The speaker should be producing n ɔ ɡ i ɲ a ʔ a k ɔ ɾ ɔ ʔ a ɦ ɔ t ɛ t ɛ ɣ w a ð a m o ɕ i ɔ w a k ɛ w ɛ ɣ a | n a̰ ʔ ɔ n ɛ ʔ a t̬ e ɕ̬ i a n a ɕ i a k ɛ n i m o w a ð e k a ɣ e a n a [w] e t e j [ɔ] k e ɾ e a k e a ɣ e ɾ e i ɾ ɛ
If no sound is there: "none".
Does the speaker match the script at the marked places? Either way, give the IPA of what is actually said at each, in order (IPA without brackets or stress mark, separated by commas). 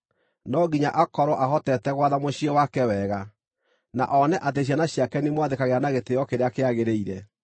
ɣ, ɔ